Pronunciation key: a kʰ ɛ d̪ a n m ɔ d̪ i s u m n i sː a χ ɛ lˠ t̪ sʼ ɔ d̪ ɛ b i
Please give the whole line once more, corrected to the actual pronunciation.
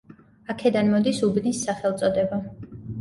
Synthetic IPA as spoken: a kʰ ɛ d̪ a n m ɔ d̪ i s u b n i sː a χ ɛ lˠ t̪ sʼ ɔ d̪ ɛ b a